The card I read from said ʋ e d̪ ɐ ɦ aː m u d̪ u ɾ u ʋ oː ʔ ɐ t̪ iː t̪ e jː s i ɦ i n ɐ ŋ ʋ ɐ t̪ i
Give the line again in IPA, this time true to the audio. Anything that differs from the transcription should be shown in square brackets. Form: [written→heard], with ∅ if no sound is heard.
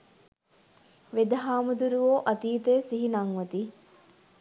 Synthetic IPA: ʋ e d̪ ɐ ɦ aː m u d̪ u ɾ u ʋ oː ʔ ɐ t̪ iː t̪ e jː s i ɦ i n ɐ ŋ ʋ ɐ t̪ i